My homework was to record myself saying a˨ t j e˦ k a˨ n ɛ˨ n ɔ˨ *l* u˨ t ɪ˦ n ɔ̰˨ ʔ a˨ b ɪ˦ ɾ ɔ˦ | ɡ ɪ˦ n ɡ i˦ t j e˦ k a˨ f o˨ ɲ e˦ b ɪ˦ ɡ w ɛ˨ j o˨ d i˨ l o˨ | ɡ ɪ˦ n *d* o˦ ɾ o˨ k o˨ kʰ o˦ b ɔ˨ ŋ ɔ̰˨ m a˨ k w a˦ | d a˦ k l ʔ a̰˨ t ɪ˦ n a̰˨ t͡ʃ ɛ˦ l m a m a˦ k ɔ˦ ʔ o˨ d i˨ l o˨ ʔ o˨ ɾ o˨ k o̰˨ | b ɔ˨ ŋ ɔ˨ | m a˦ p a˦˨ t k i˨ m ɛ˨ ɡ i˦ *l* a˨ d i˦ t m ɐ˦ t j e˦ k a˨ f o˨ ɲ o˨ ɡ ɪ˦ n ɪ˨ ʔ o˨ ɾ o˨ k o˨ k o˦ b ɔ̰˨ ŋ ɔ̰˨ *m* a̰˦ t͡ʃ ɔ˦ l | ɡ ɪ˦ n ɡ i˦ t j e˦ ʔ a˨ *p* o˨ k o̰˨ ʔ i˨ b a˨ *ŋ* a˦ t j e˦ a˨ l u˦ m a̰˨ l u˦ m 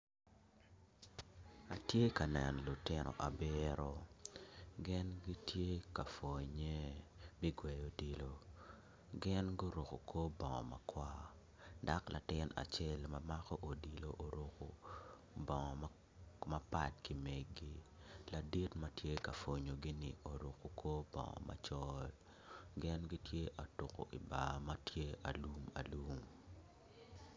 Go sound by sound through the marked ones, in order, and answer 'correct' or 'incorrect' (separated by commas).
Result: correct, incorrect, correct, correct, incorrect, incorrect